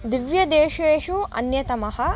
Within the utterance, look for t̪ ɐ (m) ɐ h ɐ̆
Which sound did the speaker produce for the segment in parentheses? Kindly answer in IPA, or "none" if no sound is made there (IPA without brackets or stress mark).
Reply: m